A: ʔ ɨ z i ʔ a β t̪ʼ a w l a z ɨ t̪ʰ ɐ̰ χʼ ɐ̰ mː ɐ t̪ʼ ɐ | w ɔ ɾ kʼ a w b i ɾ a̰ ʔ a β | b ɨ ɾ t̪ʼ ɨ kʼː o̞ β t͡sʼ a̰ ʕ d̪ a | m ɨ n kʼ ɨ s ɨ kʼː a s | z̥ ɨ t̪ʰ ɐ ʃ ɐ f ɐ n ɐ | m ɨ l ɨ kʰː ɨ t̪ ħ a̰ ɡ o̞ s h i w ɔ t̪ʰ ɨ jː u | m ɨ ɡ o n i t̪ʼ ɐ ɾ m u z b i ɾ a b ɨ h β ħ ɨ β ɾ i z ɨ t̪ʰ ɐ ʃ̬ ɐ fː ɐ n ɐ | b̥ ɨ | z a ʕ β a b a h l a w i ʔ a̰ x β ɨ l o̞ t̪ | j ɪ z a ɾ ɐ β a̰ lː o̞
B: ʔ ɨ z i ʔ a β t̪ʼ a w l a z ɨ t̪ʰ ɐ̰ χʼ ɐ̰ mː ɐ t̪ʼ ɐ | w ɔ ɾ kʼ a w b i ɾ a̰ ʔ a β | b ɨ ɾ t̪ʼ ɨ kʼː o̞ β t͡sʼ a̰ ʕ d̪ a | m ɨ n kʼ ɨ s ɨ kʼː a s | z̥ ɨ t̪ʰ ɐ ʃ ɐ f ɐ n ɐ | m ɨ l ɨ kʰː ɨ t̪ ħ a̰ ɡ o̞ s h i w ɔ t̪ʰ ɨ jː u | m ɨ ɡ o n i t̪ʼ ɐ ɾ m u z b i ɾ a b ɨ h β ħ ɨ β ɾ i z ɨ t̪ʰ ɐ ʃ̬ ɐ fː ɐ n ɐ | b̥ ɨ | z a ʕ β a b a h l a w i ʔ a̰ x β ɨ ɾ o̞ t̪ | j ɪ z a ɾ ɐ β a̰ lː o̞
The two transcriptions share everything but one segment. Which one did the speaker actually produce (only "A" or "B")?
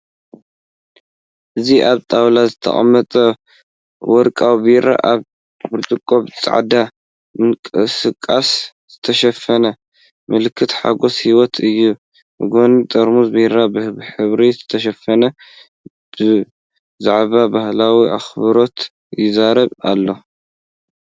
B